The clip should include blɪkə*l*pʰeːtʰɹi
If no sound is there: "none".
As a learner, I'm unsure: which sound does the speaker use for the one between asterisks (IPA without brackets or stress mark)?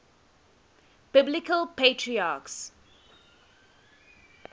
l